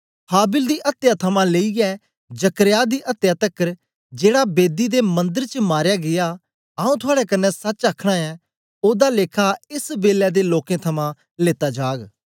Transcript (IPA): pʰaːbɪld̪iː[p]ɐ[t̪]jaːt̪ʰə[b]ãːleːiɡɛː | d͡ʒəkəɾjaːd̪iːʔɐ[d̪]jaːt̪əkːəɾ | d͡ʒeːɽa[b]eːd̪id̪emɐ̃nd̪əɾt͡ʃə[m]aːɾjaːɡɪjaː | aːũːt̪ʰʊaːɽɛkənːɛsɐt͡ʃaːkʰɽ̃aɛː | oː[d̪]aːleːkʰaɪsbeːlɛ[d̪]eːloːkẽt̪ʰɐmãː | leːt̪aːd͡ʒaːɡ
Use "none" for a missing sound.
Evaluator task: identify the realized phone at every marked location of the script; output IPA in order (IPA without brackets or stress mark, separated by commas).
ʔ, t̪, m, t̪, b, m, d̪, d̪